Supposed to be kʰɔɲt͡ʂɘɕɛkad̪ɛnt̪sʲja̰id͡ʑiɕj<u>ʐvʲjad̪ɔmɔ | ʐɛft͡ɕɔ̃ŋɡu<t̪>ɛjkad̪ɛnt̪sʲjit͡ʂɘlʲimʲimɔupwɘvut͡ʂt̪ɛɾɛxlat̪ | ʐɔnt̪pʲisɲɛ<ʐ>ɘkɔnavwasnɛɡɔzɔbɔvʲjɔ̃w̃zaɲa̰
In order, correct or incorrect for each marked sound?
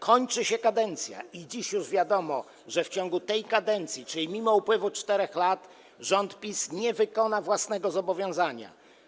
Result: correct, correct, incorrect

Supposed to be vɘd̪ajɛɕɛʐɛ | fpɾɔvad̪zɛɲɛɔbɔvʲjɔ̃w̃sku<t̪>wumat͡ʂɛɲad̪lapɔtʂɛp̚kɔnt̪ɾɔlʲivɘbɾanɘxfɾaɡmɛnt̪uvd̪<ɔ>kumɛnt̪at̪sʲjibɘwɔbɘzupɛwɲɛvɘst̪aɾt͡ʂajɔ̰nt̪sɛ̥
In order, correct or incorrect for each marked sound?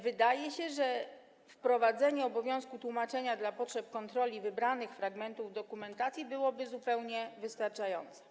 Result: correct, correct

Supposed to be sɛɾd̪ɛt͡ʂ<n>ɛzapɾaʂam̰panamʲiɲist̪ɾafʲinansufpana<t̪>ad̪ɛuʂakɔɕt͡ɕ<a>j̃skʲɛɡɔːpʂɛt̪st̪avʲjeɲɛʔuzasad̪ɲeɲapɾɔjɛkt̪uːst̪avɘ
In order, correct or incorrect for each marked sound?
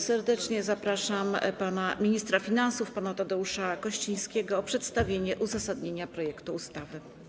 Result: incorrect, correct, incorrect

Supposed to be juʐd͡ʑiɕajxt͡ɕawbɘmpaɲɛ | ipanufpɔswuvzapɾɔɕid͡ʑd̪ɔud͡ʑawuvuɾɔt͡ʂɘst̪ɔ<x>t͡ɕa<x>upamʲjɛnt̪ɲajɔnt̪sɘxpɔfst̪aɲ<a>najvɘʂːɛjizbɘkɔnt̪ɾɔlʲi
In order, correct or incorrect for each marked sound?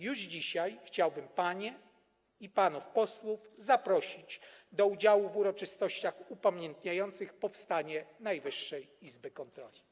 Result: incorrect, correct, incorrect

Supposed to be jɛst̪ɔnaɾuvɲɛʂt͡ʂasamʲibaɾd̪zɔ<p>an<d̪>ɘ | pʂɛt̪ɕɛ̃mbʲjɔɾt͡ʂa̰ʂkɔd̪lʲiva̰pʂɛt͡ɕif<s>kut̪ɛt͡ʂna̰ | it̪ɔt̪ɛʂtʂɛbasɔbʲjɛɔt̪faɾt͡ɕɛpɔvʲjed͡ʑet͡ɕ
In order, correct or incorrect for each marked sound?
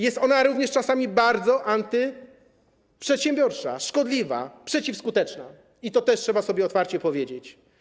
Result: incorrect, incorrect, correct

